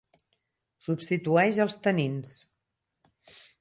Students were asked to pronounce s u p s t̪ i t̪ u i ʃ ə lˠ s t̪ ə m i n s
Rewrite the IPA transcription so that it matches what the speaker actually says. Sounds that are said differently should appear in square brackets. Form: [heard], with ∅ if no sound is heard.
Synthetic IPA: s u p s t̪ i t̪ u [ɛ] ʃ ə lˠ s t̪ ə [n] i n s